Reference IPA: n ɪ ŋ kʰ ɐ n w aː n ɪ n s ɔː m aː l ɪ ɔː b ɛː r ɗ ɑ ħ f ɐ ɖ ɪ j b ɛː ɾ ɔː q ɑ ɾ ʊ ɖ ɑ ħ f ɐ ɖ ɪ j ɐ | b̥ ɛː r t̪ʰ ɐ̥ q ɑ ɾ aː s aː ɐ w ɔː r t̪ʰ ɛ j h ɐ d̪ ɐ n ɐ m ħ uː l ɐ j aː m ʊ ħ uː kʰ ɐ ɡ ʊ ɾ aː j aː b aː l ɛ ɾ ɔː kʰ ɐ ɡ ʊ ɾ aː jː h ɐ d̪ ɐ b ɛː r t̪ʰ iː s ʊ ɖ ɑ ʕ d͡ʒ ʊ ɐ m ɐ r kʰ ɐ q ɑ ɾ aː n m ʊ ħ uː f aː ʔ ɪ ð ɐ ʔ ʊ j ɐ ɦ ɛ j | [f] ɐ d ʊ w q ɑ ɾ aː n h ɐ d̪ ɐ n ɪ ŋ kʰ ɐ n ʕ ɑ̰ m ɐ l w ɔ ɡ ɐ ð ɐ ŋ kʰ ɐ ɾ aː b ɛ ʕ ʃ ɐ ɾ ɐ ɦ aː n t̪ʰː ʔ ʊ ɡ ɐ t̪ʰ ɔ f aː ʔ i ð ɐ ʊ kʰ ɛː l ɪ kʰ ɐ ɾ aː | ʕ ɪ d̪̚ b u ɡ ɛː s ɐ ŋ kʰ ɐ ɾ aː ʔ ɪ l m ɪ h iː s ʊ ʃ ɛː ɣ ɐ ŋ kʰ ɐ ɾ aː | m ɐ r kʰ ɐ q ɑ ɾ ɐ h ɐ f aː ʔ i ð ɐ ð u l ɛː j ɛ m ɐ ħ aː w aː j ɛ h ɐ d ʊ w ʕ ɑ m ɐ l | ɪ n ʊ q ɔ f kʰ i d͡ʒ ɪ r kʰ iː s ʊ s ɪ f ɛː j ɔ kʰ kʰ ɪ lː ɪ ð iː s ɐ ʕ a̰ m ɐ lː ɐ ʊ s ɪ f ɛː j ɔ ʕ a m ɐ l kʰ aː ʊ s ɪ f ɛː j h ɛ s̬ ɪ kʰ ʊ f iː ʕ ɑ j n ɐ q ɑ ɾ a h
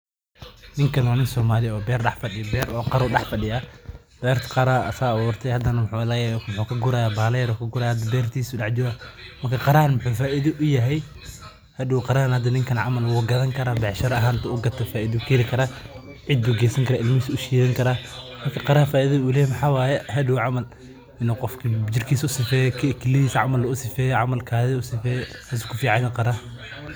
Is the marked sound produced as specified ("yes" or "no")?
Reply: no